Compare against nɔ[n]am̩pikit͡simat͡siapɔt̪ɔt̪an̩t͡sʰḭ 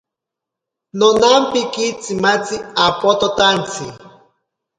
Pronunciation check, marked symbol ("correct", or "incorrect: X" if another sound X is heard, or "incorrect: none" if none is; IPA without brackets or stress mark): correct